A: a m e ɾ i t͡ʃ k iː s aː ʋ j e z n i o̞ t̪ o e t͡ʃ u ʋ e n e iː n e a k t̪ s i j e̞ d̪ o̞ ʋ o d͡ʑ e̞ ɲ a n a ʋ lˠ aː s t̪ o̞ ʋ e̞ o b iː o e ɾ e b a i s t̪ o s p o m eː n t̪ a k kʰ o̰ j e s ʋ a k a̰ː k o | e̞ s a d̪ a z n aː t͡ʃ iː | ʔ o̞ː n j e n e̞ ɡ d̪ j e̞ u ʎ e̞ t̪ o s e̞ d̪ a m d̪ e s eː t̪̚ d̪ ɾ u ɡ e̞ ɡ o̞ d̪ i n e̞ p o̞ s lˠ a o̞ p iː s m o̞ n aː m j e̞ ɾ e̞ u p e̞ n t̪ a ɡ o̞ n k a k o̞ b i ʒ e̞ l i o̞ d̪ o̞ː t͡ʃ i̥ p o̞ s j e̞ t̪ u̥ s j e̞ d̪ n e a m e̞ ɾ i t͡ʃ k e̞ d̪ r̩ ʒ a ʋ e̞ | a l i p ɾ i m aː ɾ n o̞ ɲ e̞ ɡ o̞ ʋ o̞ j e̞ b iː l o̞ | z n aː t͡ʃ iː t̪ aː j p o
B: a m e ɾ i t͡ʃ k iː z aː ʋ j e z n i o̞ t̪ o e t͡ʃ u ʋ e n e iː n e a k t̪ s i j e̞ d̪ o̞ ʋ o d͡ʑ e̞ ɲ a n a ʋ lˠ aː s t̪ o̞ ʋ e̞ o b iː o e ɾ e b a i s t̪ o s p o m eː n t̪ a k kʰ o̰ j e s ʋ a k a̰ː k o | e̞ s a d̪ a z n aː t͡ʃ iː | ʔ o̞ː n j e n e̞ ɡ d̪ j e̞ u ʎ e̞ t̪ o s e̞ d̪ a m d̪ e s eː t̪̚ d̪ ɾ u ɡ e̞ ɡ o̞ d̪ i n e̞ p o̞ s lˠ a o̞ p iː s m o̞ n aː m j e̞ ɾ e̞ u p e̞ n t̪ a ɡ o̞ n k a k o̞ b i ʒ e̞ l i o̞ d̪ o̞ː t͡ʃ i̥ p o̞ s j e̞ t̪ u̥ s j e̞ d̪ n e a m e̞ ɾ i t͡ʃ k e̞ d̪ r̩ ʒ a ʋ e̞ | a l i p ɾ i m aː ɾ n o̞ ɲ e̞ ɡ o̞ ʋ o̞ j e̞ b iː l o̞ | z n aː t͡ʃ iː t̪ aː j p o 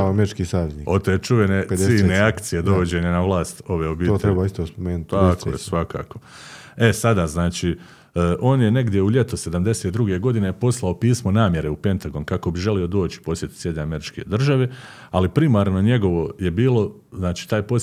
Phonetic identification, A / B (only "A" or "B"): A